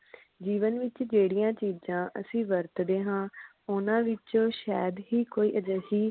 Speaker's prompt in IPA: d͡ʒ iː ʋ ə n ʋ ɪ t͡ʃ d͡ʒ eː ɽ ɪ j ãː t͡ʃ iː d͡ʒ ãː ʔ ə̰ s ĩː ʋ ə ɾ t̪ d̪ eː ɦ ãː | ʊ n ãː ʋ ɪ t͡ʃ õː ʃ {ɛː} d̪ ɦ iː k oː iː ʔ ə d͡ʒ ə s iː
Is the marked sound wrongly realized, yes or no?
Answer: no